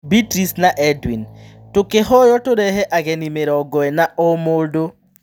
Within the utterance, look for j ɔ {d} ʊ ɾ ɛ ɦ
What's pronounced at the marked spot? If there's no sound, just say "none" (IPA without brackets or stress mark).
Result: t